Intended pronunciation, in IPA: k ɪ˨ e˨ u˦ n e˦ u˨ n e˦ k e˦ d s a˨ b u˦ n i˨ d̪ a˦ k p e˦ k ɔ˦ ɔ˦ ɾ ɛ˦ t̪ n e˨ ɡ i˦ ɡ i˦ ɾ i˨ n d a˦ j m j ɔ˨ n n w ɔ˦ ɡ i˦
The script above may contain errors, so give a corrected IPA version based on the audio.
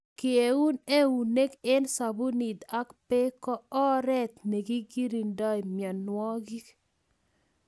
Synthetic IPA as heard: k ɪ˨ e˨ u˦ n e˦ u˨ n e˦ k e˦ n s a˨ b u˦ n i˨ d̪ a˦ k p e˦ k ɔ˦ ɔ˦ ɾ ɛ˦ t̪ n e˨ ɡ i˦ ɡ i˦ ɾ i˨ n d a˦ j m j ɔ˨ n n w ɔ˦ ɡ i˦

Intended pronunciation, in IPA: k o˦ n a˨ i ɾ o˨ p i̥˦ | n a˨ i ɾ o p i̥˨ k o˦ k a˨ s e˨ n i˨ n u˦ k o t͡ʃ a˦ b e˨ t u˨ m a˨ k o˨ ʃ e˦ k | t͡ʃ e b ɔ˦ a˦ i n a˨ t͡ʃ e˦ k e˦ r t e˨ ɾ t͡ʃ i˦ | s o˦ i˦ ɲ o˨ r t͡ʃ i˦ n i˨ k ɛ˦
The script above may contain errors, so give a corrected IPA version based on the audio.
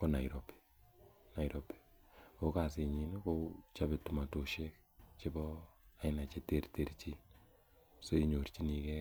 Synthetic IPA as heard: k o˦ n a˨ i ɾ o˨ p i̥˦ | n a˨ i ɾ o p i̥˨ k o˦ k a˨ s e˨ ɲ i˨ n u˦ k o t͡ʃ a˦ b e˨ t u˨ m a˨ t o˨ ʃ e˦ k | t͡ʃ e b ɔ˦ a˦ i n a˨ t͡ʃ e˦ t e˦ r t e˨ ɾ t͡ʃ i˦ | s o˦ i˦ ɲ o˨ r t͡ʃ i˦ n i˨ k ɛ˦

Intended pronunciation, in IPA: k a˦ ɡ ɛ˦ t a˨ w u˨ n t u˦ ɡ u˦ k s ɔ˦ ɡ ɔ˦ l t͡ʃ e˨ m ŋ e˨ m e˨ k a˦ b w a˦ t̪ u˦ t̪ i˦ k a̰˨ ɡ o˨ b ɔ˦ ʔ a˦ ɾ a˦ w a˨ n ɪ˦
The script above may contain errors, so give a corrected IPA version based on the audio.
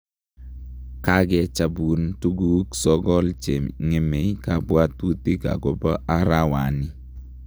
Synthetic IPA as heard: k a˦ ɡ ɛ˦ t͡ʃ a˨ b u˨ n t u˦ ɡ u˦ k s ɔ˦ ɡ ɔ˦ l t͡ʃ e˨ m ŋ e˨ m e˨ k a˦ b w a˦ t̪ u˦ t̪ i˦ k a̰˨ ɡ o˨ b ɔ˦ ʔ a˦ ɾ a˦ w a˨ n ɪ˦

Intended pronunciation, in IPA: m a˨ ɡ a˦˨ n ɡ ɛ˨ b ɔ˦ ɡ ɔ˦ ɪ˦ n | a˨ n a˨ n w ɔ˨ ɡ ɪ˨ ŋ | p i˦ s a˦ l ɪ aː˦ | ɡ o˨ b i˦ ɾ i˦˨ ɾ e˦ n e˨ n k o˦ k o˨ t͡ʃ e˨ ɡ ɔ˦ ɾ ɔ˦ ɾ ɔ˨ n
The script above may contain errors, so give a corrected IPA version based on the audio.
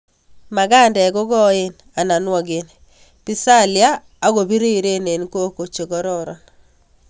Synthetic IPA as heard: m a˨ ɡ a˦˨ n d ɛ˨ ɡ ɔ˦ ɡ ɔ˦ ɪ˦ n | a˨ n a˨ n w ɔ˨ ɡ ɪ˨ n | p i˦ s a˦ l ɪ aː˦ | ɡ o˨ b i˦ ɾ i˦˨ ɾ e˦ n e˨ n k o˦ k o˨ t͡ʃ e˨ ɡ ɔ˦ ɾ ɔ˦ ɾ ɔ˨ n

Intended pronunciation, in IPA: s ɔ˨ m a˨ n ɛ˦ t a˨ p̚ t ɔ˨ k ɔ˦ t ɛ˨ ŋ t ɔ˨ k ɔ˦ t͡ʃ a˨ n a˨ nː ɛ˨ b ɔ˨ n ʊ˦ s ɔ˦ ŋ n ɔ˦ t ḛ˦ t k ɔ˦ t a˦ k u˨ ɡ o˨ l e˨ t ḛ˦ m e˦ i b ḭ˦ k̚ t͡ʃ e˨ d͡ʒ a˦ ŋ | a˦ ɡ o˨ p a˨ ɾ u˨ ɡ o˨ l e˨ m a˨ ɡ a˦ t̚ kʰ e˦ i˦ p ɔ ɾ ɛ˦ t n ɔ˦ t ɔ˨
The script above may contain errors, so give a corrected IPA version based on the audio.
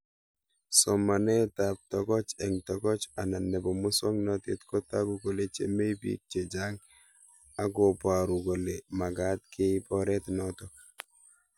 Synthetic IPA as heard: s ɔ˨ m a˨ n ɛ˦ t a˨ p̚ t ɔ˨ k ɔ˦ t͡ʃ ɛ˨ ŋ t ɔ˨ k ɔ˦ t͡ʃ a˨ n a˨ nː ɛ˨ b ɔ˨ m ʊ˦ s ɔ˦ ŋ n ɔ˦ t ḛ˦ t k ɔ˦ t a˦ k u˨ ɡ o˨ l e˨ t͡ʃ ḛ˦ m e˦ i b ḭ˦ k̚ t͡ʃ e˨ d͡ʒ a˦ ŋ | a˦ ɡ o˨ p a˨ ɾ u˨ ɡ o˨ l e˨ m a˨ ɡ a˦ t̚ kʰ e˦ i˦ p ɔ ɾ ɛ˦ t n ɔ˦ t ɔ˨

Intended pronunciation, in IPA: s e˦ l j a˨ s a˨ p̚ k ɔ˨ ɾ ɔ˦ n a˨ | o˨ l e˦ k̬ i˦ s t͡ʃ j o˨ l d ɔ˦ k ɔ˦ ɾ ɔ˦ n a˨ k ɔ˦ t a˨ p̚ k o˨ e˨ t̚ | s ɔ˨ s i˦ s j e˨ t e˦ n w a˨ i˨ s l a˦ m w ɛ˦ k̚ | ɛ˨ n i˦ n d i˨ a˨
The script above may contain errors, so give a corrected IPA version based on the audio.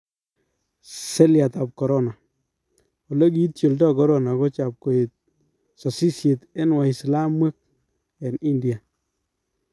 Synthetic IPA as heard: s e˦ l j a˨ t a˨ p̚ k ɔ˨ ɾ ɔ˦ n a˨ | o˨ l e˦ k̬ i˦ t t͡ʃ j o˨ l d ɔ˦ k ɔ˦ ɾ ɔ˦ n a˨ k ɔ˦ t͡ʃ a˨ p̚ k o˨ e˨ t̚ | s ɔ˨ s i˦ s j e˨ t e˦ n w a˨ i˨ s l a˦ m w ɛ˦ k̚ | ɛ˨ n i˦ n d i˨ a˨

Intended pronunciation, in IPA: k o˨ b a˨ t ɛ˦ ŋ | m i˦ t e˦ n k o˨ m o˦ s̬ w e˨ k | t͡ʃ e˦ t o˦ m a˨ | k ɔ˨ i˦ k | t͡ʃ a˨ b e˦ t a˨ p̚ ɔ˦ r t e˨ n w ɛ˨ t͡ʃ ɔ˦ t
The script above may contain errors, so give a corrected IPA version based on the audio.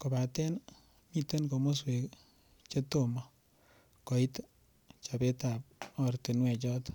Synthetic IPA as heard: k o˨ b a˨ t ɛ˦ n | m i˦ t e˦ n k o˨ m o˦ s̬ w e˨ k | t͡ʃ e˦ t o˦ m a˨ | k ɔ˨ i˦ t | t͡ʃ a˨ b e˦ t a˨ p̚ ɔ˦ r t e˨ n w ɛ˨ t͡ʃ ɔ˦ t

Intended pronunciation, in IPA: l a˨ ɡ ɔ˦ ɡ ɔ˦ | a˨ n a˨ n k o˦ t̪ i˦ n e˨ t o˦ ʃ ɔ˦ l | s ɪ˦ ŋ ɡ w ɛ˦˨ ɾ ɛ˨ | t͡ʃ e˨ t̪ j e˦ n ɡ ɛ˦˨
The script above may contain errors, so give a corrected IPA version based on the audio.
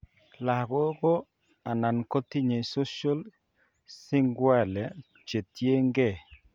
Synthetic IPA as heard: l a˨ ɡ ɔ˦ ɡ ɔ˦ | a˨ n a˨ n k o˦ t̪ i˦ ɲ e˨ s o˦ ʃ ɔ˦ l | s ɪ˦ ŋ ɡ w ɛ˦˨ l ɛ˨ | t͡ʃ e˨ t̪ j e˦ ŋ ɡ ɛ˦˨

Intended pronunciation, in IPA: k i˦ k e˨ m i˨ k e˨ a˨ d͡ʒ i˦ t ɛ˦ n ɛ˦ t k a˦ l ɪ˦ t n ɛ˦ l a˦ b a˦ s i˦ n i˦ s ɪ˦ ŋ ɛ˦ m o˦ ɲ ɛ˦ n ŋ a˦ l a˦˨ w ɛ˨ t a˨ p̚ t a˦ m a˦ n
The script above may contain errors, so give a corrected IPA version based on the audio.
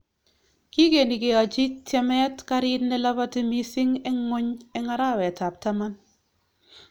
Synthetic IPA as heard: k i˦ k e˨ n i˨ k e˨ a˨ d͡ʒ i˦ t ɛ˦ m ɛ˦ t k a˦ ɾ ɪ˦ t n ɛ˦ l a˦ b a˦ t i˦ m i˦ s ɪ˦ ŋ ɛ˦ ŋ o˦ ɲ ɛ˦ ŋ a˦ ɾ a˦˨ w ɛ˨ t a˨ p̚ t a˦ m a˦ n

